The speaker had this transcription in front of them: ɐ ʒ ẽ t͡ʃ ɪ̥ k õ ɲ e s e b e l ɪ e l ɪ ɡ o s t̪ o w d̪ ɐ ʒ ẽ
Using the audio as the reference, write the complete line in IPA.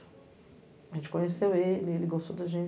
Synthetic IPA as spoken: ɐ ʒ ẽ t͡ʃ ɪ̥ k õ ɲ e s e w e l ɪ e l ɪ ɡ o s t̪ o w d̪ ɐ ʒ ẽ